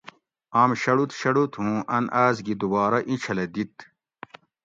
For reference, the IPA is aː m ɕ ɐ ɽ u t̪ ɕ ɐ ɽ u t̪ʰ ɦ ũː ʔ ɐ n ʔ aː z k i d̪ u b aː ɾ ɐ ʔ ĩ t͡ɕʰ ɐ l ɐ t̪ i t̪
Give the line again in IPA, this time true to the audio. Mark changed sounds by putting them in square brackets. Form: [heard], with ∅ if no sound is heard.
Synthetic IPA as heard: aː m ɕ ɐ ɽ u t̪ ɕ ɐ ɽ u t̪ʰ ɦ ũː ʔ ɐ n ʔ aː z [ɡ] i d̪ u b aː ɾ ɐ ʔ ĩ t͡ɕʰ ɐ l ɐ [d̪] i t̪